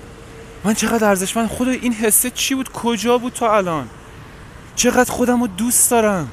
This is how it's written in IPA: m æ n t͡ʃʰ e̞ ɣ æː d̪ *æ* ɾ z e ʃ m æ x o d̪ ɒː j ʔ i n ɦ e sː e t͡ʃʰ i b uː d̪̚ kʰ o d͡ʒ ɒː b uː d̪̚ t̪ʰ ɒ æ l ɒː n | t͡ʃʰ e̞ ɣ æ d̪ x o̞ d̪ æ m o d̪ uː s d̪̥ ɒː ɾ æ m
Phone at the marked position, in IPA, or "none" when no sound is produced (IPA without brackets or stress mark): æ